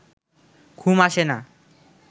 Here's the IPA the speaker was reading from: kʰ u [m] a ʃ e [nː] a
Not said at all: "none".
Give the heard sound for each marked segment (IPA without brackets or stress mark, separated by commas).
m, n